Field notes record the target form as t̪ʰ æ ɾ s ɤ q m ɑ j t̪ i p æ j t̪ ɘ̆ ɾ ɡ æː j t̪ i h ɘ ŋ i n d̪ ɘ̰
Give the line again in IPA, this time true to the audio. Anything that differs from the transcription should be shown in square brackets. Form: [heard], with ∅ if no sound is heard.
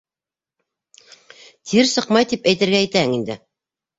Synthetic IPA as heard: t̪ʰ [i] ɾ s ɤ q m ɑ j t̪ i p æ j t̪ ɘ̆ ɾ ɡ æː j t̪ [æ] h ɘ ŋ i n d̪ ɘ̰